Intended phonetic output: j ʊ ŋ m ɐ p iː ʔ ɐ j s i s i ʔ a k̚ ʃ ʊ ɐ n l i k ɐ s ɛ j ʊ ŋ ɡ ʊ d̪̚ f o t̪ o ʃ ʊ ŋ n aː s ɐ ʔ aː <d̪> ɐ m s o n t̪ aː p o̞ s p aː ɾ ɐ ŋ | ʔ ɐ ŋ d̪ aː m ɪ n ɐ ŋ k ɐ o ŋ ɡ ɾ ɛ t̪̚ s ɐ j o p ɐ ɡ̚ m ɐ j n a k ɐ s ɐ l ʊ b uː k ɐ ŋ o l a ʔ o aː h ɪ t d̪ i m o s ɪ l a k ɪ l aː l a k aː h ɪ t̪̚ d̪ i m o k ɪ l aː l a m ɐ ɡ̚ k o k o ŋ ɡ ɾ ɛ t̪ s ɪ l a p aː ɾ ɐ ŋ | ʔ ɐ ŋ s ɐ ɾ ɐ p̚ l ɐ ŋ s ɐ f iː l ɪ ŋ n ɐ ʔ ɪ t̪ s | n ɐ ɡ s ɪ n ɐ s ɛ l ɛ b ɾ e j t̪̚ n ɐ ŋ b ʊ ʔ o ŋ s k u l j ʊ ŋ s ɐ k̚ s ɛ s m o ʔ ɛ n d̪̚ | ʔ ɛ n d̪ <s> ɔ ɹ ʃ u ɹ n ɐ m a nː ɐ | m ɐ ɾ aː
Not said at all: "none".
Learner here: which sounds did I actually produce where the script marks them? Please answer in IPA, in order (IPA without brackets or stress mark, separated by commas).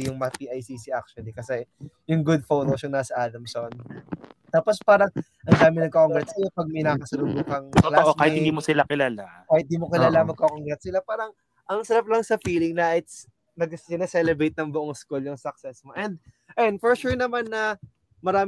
d̪, f